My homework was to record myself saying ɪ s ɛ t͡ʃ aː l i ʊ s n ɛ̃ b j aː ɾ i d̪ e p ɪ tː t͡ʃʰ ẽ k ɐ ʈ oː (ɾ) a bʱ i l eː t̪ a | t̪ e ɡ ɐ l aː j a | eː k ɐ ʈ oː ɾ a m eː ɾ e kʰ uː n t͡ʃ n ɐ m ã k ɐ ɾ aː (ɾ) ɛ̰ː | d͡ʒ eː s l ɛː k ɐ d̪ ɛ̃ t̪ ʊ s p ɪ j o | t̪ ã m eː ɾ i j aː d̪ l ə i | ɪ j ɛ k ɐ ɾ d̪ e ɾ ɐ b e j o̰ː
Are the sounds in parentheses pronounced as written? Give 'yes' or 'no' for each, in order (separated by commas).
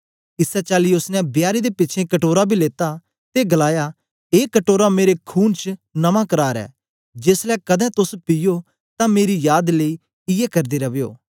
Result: yes, yes